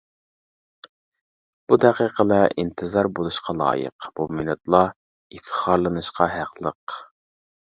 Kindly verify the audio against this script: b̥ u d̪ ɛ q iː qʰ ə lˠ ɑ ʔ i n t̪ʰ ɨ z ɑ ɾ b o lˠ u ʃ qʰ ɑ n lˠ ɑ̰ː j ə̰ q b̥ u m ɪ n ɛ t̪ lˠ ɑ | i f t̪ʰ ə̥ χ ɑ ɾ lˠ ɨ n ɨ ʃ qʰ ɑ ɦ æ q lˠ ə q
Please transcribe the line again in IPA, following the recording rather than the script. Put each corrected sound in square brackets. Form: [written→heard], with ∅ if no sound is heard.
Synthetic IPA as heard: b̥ u d̪ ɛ q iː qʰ ə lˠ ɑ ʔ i n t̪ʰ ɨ z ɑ ɾ b o lˠ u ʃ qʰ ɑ [n→∅] lˠ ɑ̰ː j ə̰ q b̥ u m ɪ n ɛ t̪ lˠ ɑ | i f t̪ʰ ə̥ χ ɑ ɾ lˠ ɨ n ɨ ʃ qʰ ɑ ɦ æ q lˠ ə q

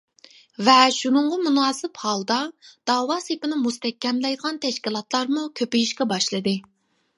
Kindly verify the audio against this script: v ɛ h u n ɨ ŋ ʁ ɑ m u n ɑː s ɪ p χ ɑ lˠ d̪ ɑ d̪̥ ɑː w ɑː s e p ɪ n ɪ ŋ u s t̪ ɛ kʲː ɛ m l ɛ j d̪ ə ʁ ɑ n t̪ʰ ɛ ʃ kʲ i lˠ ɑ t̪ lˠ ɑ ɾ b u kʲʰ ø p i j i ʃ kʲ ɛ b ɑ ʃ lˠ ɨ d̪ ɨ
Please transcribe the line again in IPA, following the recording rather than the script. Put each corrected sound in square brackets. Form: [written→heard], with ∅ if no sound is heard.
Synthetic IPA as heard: v ɛ [h→ʃ] u n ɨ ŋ ʁ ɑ m u n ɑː s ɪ p [χ→h] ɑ lˠ d̪ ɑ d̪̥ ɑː w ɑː s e p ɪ n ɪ [ŋ→m] u s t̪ ɛ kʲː ɛ m l ɛ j d̪ ə ʁ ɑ n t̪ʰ ɛ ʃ kʲ i lˠ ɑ t̪ lˠ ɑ ɾ [b→m] u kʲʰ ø p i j i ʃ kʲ ɛ b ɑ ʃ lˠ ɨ d̪ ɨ

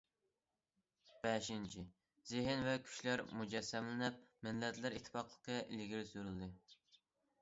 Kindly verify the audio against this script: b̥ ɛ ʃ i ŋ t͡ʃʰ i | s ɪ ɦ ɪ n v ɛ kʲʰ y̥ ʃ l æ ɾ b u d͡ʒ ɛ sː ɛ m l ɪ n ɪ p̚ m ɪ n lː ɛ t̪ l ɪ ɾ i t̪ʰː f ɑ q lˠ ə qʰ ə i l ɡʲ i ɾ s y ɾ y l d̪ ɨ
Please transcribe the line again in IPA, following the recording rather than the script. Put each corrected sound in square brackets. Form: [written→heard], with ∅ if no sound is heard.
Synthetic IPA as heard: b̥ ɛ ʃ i [ŋ→n] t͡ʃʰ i | [s→z] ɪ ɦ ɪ n v ɛ kʲʰ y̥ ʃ l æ ɾ [b→m] u d͡ʒ ɛ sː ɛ m l ɪ n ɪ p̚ m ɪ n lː ɛ t̪ l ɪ ɾ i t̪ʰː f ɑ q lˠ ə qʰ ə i l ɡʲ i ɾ s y ɾ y l d̪ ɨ

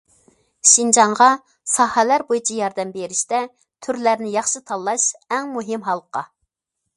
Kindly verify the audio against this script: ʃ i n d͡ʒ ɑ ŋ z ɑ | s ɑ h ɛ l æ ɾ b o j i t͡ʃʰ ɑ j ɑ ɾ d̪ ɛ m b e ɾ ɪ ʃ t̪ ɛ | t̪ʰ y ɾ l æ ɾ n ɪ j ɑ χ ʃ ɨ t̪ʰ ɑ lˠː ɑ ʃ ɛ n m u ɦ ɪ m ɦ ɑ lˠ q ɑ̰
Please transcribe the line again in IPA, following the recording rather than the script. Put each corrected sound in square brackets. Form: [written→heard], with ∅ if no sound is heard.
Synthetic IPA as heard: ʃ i n d͡ʒ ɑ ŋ [z→ʁ] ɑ | s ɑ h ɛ l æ ɾ b o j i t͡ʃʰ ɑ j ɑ ɾ d̪ ɛ m b e ɾ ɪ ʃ t̪ ɛ | t̪ʰ y ɾ l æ ɾ n ɪ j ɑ χ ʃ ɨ t̪ʰ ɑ lˠː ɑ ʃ ɛ [n→ŋ] m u ɦ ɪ m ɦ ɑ lˠ q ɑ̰

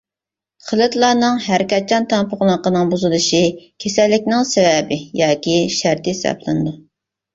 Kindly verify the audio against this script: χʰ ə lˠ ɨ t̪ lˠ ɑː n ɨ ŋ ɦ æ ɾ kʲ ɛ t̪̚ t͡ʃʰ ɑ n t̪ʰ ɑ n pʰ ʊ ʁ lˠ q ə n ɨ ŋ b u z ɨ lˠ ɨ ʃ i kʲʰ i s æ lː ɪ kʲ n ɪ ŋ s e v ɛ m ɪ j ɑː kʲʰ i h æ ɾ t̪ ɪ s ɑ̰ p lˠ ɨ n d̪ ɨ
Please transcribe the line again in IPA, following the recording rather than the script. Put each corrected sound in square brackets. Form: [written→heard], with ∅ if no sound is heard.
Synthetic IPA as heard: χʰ ə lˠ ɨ t̪ lˠ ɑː n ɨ ŋ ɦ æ ɾ kʲ ɛ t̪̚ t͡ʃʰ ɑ n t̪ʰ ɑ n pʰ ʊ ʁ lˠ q ə n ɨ ŋ b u z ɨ lˠ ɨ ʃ i kʲʰ [i→e] s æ lː ɪ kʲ n ɪ ŋ s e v ɛ [m→b] ɪ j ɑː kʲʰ i [h→ʃ] æ ɾ t̪ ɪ s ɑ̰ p lˠ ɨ n d̪ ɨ

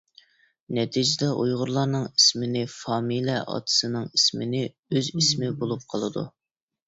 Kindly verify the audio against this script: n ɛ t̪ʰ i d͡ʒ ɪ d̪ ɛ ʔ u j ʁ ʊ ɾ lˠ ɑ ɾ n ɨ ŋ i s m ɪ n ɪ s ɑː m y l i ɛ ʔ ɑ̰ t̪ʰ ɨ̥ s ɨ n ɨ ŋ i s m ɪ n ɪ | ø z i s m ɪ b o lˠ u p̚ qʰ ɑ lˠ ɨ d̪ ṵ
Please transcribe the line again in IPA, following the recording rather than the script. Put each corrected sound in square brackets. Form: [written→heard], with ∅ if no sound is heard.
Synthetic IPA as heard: n ɛ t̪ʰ i d͡ʒ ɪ d̪ ɛ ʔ u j ʁ ʊ ɾ lˠ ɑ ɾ n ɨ ŋ i s m ɪ n ɪ [s→f] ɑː m [y→i] l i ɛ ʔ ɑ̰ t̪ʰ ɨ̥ s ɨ n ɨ ŋ i s m ɪ n ɪ | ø z i s m ɪ b o lˠ u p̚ qʰ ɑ lˠ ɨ d̪ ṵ

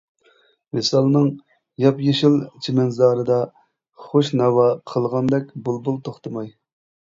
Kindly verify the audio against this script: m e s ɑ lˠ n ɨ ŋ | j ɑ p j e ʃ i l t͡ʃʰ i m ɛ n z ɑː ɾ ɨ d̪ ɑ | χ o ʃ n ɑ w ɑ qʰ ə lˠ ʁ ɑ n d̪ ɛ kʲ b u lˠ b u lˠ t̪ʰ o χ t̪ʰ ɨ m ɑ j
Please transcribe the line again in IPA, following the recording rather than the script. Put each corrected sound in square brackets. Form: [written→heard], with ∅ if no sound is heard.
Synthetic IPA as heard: m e s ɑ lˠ n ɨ ŋ | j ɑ p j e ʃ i l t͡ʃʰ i m ɛ n z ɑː ɾ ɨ d̪ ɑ | χ o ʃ n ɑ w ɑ qʰ ə lˠ ʁ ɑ n d̪ ɛ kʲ b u lˠ b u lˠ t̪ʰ o χ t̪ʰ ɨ m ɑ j

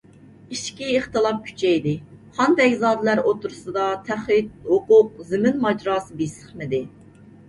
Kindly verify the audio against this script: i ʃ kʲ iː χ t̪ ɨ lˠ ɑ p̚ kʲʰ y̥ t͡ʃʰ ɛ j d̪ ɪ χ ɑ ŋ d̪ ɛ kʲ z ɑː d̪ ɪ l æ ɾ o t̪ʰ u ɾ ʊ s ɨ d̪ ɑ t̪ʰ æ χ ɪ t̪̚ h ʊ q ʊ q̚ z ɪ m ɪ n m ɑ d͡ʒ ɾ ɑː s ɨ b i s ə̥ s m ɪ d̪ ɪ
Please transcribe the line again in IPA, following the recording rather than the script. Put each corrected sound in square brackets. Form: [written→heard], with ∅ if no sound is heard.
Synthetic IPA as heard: i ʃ kʲ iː χ t̪ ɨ lˠ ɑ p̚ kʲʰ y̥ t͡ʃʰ ɛ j d̪ ɪ χ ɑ [ŋ→n] d̪ ɛ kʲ z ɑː d̪ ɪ l æ ɾ o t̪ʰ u ɾ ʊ s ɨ d̪ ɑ t̪ʰ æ χ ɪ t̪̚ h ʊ q ʊ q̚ z ɪ m ɪ n m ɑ d͡ʒ ɾ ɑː s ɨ b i s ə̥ [s→χ] m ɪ d̪ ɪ

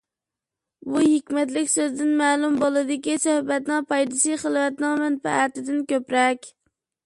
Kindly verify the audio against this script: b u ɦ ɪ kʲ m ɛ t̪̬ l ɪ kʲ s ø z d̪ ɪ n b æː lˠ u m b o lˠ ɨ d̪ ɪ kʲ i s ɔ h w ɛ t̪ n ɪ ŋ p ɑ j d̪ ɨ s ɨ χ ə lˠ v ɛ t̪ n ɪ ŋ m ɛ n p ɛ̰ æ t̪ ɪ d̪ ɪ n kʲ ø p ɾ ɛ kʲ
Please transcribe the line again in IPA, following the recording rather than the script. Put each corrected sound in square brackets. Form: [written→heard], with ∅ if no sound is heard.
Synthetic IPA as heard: b u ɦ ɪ kʲ m ɛ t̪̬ l ɪ kʲ s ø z d̪ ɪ n [b→m] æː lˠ u m b o lˠ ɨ d̪ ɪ kʲ i s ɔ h [w→b] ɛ t̪ n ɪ ŋ p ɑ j d̪ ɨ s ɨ χ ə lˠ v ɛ t̪ n ɪ ŋ m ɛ n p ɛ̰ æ t̪ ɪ d̪ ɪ n kʲ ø p ɾ ɛ kʲ

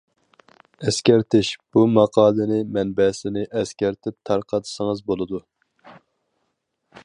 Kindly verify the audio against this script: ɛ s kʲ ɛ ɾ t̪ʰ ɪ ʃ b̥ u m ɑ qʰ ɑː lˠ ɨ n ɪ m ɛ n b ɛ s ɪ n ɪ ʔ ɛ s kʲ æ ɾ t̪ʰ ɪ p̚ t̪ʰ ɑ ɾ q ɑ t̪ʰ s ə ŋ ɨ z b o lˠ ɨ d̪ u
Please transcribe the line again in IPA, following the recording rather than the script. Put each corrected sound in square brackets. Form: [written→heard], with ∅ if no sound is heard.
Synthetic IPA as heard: ɛ s kʲ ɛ ɾ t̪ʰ ɪ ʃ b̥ u m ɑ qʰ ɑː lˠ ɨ n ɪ m ɛ n b ɛ s ɪ n ɪ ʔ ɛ s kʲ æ ɾ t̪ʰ ɪ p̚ t̪ʰ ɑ ɾ q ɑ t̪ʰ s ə ŋ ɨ z b o lˠ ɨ d̪ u

